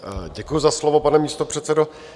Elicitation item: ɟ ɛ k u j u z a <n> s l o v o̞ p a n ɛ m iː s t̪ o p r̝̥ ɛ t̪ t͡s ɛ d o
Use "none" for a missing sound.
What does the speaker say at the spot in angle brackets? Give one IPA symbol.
none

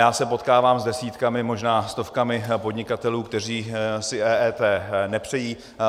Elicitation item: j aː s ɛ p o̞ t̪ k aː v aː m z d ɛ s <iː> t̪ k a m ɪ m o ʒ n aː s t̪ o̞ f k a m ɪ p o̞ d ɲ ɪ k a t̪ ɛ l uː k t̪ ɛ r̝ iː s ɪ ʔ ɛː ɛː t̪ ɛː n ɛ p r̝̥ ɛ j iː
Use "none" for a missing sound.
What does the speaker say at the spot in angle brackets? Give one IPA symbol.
iː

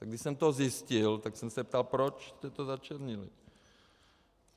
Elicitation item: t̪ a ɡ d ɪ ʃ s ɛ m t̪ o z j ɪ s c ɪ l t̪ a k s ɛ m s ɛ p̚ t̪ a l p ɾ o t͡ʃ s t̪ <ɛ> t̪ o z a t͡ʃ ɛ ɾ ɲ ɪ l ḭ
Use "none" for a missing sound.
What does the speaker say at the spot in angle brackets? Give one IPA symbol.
ɛ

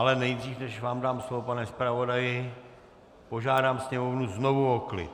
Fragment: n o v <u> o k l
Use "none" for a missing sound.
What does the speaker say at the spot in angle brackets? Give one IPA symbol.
u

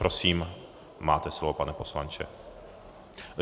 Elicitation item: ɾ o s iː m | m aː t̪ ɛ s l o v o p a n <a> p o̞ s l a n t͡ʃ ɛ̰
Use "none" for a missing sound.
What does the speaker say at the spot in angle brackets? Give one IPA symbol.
ɛ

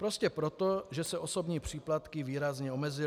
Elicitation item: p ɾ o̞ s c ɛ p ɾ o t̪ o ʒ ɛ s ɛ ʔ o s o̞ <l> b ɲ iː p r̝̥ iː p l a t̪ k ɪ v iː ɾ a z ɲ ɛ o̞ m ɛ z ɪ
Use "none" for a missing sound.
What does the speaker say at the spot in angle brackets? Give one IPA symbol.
none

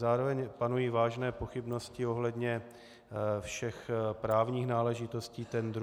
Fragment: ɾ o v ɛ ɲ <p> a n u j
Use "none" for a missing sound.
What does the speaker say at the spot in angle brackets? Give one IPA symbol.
p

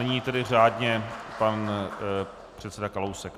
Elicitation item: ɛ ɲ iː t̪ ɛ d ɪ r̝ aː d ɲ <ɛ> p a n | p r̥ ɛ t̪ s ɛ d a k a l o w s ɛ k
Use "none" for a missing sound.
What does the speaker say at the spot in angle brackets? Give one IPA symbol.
ɛ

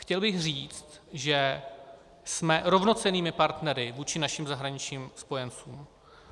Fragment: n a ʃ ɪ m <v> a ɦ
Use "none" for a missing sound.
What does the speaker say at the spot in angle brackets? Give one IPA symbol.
z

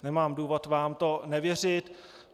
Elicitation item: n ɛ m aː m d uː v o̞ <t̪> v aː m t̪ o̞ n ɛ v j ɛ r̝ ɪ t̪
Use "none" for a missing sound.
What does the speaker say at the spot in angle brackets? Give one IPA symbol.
t̪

